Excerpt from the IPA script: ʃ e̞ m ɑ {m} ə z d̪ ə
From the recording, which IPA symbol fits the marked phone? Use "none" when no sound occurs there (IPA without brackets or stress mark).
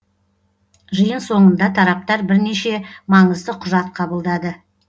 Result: ɴ